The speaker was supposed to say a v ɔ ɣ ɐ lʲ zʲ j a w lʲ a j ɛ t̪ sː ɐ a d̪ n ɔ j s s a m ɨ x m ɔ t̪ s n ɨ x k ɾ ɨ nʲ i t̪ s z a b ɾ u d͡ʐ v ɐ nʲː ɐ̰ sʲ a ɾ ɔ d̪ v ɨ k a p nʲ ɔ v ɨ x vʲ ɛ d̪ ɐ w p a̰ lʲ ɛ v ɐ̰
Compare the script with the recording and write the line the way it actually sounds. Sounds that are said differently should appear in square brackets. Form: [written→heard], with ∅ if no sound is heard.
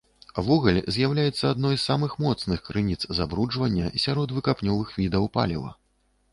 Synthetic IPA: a v ɔ ɣ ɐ lʲ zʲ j a w lʲ a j ɛ t̪ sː ɐ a d̪ n ɔ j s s a m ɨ x m ɔ t̪ s n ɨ x k ɾ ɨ nʲ i t̪ s z a b ɾ u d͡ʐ v ɐ nʲː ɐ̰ sʲ a ɾ ɔ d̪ v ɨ k a p nʲ ɔ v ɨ x vʲ [ɛ→i] d̪ ɐ w p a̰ lʲ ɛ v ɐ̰